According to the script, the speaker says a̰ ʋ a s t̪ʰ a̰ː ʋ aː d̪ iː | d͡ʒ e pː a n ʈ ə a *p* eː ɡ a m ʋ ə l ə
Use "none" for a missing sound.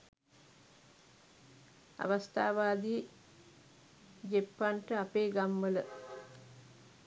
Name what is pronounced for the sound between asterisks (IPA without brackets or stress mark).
p